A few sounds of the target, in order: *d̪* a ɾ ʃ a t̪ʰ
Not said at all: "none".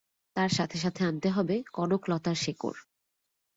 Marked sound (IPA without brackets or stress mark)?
t̪